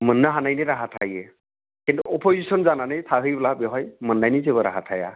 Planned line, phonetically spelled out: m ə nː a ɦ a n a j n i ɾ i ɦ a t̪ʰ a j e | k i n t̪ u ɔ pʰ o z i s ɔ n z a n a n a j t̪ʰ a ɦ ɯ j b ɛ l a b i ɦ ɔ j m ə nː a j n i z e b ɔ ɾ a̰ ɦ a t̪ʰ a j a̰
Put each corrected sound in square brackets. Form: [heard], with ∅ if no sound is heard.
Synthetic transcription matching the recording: m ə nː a ɦ a n a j n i ɾ [a] ɦ a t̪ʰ a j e | k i n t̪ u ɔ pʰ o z i s ɔ n z a n a n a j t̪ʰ a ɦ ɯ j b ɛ l a b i ɦ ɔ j m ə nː a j n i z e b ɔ ɾ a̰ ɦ a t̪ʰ a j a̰